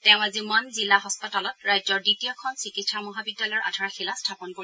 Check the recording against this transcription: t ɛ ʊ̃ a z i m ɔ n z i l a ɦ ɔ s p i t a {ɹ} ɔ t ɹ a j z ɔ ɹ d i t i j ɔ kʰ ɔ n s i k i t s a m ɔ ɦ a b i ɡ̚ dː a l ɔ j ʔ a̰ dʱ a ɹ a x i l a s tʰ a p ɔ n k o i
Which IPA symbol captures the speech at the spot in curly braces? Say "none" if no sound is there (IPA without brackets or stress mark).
l